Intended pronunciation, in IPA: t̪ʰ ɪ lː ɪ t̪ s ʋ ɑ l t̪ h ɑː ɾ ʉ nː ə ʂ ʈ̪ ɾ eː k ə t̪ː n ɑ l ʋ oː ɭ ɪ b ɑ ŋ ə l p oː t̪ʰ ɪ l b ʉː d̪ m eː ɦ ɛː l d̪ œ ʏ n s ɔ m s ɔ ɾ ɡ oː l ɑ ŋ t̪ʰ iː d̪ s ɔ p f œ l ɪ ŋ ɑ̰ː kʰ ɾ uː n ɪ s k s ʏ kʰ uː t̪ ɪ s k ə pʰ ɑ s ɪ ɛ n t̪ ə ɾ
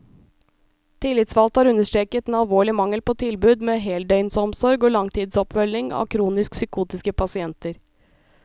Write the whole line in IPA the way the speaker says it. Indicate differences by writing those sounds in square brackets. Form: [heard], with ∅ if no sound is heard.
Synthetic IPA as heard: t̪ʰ ɪ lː ɪ t̪ s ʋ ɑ l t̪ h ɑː ɾ ʉ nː ə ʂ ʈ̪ ɾ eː k ə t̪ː n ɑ l ʋ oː ɭ ɪ [m] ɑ ŋ ə l p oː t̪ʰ ɪ l b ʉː d̪ m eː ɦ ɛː l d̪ œ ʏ n s ɔ m s ɔ ɾ ɡ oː l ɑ ŋ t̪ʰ iː d̪ s ɔ p f œ l ɪ ŋ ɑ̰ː kʰ ɾ uː n ɪ s k s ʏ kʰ uː t̪ ɪ s k ə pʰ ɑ s ɪ ɛ n t̪ ə ɾ